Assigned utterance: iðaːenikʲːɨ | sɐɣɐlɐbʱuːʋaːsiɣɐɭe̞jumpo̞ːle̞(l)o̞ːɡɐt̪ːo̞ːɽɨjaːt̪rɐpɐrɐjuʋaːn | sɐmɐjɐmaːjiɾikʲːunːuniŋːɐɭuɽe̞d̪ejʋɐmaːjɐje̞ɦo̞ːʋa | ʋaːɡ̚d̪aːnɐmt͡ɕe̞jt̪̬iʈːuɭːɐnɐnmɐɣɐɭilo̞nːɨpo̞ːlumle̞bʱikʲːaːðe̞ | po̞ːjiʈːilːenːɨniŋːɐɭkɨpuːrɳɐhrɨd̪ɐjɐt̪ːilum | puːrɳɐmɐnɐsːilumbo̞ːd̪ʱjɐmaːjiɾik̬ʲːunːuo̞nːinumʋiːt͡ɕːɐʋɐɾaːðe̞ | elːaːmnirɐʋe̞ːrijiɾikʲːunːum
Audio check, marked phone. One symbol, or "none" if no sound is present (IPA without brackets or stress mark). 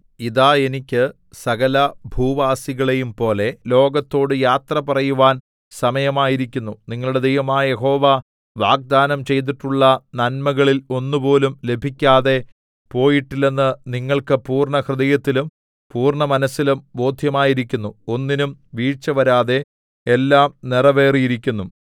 l